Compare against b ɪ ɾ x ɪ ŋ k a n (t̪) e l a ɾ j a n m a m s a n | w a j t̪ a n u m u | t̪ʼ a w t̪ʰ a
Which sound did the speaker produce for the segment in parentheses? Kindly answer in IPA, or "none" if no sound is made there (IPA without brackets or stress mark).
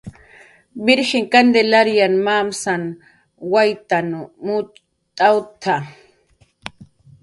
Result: d̪